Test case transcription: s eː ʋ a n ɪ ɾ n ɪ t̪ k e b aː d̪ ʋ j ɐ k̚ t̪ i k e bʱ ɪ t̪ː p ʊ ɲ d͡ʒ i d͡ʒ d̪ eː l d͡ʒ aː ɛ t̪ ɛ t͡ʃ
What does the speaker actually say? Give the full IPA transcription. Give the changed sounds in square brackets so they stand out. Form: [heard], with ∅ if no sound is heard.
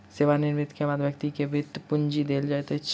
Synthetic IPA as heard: s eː ʋ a n ɪ ɾ [m] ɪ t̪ k e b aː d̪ ʋ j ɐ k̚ t̪ i k e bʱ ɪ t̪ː p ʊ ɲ d͡ʒ i [∅] d̪ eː l d͡ʒ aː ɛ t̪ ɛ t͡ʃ